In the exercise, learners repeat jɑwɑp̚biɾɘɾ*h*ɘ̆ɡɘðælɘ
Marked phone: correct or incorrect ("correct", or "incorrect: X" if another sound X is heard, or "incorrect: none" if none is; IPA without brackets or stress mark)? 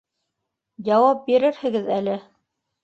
correct